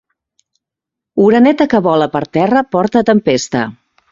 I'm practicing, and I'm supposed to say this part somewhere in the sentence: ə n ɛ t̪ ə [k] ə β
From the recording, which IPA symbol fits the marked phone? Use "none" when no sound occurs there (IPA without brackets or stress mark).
k